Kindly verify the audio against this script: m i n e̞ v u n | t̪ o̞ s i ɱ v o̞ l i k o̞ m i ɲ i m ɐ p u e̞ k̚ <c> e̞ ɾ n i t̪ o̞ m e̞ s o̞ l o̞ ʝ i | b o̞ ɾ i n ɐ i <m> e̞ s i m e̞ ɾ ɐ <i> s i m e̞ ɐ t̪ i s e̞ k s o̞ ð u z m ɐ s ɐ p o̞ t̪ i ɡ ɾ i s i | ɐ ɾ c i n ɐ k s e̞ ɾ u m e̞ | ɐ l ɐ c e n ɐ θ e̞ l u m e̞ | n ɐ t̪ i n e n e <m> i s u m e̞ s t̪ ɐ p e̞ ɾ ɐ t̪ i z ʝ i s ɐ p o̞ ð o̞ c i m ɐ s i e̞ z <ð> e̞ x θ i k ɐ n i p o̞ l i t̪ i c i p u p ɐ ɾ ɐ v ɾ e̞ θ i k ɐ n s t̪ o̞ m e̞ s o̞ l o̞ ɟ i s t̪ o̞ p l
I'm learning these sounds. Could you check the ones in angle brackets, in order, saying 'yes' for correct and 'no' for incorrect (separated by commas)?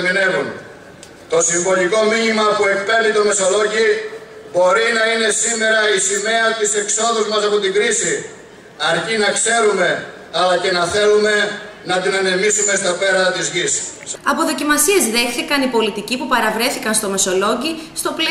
no, no, yes, yes, yes